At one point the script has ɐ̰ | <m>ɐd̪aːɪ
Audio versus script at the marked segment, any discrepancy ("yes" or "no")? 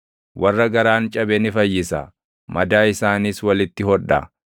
no